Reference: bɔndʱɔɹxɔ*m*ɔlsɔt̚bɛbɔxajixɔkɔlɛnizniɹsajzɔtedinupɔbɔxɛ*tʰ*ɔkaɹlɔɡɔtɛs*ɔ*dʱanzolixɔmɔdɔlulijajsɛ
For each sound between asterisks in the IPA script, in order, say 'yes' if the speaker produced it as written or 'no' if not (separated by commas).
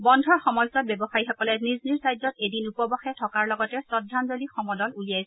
yes, yes, yes